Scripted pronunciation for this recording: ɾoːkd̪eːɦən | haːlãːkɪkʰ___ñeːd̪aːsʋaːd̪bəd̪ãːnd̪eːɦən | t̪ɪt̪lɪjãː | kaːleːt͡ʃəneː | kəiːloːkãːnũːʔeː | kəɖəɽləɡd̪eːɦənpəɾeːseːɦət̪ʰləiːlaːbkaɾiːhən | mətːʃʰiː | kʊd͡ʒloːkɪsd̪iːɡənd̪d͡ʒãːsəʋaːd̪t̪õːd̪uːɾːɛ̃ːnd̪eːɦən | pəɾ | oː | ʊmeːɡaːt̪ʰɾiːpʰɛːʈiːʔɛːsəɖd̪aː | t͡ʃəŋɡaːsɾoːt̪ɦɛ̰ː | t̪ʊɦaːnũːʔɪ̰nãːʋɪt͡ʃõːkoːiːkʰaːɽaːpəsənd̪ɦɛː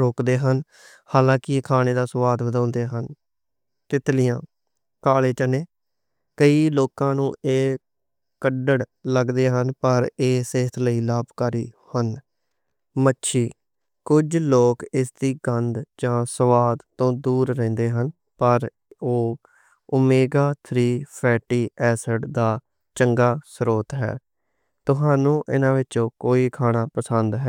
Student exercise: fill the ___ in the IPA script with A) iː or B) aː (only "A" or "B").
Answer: B